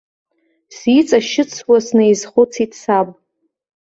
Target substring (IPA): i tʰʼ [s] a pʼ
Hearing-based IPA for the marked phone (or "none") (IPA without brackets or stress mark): s